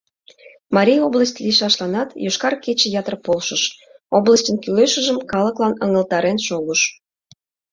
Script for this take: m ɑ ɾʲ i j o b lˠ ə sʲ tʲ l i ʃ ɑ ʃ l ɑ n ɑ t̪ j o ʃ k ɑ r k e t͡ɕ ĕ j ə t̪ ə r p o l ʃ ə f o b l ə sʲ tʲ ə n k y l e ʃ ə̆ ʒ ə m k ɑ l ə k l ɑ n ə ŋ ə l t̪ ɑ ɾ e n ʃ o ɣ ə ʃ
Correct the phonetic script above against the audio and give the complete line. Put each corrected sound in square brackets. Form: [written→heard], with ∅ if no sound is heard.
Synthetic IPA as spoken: m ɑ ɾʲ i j o b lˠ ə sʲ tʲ l i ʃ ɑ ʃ l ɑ n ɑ t̪ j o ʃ k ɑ r k e t͡ɕ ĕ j [ə→ɑ] t̪ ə r p o l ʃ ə [f→ʃ] o b l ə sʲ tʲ ə n k y l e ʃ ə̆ ʒ ə m k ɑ l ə k l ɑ n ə ŋ ə l t̪ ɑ ɾ e n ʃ o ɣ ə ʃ